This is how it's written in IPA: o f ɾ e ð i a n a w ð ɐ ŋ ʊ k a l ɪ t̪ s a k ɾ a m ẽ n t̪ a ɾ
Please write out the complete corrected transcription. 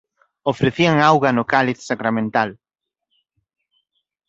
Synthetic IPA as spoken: o f ɾ e θ i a ŋ a w ɣ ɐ n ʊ k a l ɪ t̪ s a k ɾ a m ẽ n t̪ a l